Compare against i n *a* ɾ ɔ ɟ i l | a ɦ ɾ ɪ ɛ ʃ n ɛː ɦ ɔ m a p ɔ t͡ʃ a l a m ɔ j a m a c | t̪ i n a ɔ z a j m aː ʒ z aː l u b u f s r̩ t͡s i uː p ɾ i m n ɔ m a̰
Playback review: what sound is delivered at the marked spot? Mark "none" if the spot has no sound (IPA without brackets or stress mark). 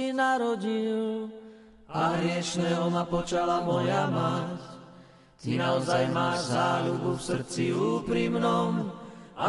a